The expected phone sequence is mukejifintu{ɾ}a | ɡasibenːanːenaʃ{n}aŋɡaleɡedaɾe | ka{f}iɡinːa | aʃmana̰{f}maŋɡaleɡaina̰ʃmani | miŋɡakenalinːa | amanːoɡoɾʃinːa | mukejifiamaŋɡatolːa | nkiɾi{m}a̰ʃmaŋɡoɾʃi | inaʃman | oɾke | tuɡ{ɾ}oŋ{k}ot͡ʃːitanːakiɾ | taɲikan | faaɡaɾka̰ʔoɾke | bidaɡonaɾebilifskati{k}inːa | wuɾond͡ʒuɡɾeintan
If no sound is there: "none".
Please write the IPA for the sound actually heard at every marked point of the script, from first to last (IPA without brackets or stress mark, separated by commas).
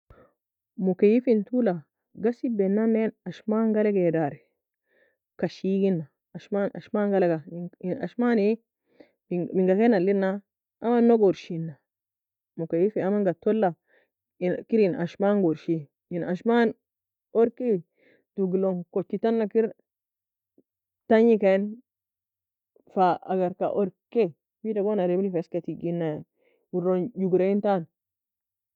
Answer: l, m, ʃ, ʃ, n, l, k, ɡ